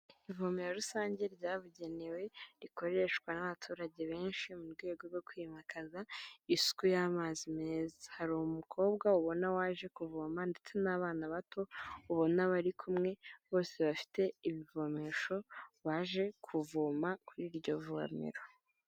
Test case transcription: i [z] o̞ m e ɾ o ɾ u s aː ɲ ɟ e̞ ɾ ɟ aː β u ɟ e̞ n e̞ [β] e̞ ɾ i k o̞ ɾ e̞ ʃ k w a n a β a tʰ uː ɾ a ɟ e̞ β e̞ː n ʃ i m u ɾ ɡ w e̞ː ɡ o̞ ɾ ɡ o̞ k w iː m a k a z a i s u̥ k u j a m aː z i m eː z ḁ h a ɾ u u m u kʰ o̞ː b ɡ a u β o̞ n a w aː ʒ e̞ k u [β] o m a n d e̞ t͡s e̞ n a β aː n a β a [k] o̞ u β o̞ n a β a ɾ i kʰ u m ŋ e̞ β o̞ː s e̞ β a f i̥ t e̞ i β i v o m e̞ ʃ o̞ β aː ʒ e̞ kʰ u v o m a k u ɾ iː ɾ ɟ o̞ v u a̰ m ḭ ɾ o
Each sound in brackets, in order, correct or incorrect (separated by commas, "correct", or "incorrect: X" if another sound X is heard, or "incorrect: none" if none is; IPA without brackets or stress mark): incorrect: v, incorrect: w, incorrect: v, incorrect: t